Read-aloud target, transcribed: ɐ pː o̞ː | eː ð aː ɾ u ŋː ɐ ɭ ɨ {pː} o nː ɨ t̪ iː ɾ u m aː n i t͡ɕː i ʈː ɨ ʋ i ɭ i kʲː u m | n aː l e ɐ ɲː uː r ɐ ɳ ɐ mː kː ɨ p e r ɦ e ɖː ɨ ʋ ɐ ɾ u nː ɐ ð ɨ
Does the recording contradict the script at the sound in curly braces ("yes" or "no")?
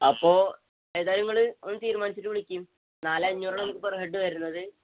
yes